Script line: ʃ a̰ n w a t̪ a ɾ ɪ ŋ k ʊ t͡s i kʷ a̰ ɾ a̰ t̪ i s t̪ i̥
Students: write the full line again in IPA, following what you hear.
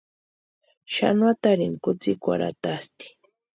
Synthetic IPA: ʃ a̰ n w a t̪ a ɾ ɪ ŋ k ʊ t͡s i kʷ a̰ ɾ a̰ t̪ a s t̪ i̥